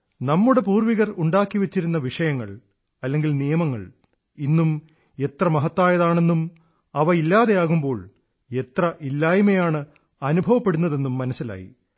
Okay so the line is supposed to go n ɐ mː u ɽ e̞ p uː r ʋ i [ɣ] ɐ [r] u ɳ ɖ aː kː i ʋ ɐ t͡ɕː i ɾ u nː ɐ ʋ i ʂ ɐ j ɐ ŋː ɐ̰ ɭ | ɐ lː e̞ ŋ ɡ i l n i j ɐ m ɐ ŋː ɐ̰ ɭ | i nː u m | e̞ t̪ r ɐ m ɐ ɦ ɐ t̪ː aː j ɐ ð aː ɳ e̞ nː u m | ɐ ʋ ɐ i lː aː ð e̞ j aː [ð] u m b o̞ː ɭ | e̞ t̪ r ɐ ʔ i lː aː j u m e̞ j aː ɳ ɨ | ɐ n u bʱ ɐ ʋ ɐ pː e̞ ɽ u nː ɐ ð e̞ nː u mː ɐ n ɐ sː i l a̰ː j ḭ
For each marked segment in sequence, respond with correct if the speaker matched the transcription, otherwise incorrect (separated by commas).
correct, correct, incorrect